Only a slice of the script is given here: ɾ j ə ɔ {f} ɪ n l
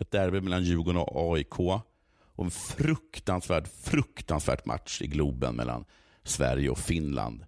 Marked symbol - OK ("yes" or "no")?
yes